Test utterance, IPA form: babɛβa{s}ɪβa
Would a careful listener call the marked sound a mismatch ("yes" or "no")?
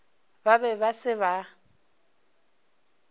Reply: no